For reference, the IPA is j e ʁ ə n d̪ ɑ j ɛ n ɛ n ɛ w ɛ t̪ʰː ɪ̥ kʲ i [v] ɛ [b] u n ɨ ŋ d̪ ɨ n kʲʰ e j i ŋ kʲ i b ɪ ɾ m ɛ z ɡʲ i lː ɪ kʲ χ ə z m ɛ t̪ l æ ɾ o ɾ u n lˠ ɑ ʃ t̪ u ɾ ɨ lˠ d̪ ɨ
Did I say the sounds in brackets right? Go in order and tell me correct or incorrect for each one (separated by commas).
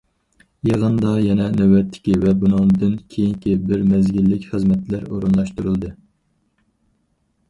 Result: correct, correct